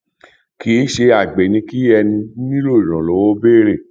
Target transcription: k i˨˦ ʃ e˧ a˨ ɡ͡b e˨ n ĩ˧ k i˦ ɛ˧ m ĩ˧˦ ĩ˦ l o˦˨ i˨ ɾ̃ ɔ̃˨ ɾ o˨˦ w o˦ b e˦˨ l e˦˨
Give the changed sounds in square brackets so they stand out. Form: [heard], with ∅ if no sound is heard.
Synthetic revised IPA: k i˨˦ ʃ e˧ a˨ ɡ͡b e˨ n ĩ˧ k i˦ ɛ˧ [n] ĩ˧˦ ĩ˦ l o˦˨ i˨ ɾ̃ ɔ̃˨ [l] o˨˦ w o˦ b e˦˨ [ɾ] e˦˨